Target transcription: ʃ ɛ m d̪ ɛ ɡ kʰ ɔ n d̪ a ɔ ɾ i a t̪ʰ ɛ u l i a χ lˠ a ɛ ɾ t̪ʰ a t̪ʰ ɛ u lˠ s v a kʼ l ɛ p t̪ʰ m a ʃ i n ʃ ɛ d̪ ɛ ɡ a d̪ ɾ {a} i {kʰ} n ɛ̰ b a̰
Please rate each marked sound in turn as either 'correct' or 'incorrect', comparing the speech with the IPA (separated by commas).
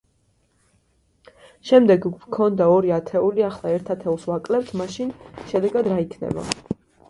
correct, correct